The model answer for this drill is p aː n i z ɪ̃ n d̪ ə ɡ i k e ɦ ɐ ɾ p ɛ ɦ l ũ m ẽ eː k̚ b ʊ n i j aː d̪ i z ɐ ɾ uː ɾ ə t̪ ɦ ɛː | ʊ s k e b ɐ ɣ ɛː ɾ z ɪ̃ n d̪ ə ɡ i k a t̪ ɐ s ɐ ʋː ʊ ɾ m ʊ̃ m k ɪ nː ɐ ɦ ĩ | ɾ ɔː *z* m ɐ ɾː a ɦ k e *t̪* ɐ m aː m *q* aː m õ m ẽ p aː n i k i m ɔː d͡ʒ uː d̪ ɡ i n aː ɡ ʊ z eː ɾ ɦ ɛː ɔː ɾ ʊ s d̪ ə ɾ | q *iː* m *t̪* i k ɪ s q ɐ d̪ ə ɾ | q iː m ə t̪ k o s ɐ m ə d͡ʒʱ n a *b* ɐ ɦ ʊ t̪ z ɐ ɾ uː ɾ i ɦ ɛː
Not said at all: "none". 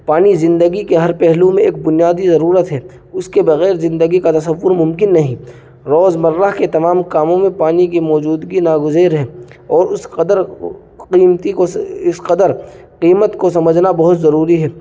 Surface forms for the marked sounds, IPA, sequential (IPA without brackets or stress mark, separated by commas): z, t̪, k, iː, t̪, b